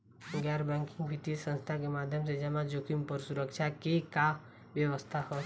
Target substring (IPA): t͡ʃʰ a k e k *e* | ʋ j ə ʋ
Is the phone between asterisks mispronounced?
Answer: yes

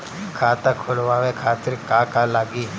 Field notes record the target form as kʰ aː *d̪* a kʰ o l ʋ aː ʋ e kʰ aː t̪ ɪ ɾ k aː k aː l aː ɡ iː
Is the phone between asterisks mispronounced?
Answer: yes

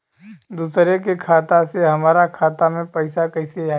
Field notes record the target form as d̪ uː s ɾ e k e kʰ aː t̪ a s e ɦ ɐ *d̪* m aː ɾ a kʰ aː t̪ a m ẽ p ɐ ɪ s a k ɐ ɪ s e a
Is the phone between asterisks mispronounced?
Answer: yes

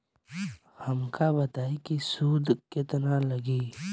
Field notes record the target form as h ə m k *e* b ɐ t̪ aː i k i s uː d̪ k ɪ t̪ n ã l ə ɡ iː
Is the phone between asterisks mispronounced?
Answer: yes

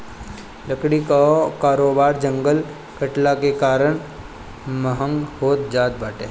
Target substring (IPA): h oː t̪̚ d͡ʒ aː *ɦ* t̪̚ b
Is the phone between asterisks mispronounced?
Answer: yes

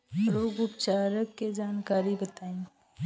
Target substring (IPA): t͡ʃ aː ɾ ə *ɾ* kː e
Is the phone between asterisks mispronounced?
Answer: yes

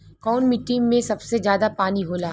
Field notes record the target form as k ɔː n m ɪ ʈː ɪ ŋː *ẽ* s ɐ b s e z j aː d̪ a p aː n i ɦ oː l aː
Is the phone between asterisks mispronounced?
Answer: no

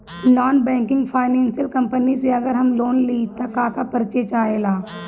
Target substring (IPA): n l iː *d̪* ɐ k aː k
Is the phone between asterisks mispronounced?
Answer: yes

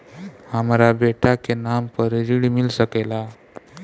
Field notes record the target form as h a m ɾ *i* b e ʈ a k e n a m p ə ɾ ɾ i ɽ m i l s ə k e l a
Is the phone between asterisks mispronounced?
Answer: yes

